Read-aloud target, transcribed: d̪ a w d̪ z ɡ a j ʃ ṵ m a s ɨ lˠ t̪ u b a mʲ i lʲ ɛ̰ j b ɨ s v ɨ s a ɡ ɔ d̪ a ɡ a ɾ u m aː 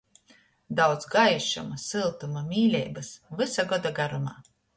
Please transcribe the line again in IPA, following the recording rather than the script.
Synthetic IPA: d̪ a w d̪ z ɡ a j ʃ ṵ m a s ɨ lˠ t̪ u m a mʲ iː lʲ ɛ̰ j b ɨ s v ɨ s a ɡ ɔ d̪ a ɡ a ɾ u m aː